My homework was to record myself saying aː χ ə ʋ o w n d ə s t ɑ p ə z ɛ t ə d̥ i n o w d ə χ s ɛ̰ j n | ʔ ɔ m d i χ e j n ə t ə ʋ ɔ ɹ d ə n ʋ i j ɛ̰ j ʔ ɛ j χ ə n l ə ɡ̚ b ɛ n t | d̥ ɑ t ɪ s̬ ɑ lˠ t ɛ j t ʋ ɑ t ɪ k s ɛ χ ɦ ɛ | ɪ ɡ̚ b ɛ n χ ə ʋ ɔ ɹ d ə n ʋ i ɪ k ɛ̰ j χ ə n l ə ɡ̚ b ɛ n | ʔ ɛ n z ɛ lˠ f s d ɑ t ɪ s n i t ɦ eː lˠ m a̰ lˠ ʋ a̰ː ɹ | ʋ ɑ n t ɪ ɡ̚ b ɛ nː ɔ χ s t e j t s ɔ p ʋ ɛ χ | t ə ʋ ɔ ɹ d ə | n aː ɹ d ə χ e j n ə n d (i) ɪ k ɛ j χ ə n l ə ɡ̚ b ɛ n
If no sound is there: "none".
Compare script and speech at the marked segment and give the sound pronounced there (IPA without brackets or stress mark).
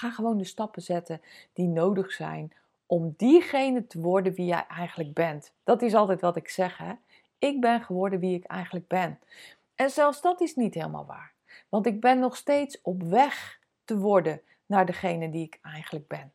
i